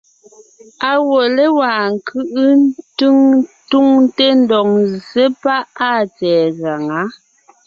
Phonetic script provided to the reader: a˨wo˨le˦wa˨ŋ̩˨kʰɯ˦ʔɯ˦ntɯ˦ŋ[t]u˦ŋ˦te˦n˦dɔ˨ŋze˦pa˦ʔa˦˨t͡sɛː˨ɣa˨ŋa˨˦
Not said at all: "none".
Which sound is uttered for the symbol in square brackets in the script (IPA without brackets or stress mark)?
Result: t